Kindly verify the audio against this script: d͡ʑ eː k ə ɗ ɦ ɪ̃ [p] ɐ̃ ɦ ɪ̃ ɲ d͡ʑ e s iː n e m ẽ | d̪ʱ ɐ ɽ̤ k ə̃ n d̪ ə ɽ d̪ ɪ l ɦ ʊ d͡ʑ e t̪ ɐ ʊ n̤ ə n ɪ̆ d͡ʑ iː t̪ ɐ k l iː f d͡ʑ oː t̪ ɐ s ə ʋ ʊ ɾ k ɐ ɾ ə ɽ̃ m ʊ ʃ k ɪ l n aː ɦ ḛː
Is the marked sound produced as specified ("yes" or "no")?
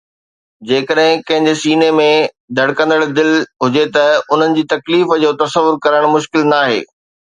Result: no